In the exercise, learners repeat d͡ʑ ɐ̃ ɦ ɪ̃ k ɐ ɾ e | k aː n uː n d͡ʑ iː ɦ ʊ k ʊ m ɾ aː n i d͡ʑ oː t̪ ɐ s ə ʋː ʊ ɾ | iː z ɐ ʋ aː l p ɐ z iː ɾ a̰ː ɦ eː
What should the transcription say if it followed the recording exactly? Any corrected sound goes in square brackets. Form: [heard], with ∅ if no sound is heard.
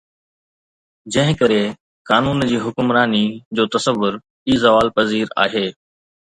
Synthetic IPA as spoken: d͡ʑ ɐ̃ ɦ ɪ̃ k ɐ ɾ e | k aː n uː n d͡ʑ iː ɦ ʊ k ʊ m ɾ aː n i d͡ʑ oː t̪ ɐ s ə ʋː ʊ ɾ | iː z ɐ ʋ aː l p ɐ z iː ɾ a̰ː ɦ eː